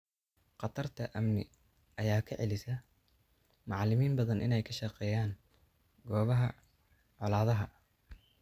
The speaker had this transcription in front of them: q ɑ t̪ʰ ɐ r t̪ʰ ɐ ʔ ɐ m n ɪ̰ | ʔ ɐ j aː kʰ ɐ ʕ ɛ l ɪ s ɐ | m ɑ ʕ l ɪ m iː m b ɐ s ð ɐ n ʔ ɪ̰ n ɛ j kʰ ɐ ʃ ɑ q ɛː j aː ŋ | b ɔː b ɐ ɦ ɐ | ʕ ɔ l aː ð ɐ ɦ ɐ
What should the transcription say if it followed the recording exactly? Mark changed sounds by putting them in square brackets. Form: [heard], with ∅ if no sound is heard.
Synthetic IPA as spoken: q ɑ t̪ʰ ɐ r t̪ʰ ɐ ʔ ɐ m n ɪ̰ | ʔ ɐ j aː kʰ ɐ ʕ ɛ l ɪ s ɐ | m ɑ ʕ l ɪ m iː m b ɐ [∅] ð ɐ n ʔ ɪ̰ n ɛ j kʰ ɐ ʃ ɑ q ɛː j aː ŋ | [ɡ] ɔː [β] ɐ ɦ ɐ | ʕ ɔ l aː ð ɐ ɦ ɐ